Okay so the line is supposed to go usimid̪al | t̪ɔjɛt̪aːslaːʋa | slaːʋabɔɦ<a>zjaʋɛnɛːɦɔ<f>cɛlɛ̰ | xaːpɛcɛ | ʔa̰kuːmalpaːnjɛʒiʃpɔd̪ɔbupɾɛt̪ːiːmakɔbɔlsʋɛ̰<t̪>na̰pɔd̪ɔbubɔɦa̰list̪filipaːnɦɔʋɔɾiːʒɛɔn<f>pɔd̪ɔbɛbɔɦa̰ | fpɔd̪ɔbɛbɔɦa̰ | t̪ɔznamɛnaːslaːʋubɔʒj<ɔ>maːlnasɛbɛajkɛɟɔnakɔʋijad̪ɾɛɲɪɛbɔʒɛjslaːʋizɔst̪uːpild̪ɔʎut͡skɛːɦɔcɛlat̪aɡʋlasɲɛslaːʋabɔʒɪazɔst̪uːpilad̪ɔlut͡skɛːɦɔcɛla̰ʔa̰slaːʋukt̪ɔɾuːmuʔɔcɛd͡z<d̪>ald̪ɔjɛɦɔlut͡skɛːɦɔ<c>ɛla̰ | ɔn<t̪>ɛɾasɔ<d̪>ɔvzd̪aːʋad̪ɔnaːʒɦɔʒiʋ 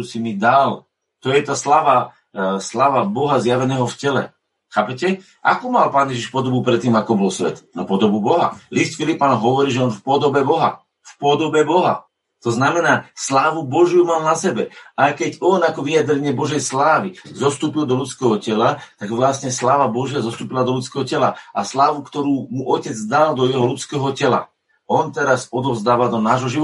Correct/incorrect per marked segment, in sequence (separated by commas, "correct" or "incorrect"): correct, correct, correct, correct, incorrect, correct, correct, correct, correct